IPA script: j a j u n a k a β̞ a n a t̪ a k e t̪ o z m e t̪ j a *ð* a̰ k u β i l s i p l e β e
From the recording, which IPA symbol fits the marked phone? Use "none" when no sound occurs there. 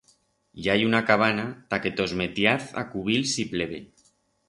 θ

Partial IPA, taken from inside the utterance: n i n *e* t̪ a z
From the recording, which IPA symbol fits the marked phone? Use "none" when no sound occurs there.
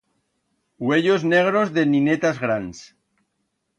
e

